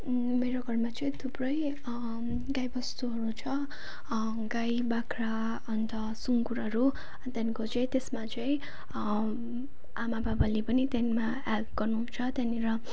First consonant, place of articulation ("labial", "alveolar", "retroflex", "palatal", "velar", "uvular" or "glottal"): labial